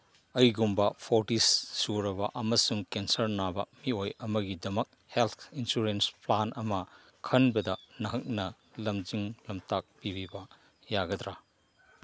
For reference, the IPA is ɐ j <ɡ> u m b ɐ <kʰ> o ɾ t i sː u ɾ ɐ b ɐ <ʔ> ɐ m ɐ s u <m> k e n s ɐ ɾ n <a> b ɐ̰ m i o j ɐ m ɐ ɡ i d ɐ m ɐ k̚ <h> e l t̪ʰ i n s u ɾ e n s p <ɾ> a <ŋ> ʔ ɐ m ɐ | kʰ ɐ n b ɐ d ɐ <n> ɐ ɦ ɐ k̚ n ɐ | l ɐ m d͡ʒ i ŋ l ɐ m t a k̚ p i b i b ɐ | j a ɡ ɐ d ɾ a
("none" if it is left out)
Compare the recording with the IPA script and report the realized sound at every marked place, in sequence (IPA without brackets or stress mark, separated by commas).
ɡ, pʰ, ʔ, ŋ, a, h, l, n, n